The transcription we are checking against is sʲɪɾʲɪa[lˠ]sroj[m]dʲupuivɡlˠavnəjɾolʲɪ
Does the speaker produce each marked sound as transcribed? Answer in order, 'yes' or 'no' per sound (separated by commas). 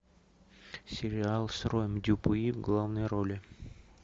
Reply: yes, yes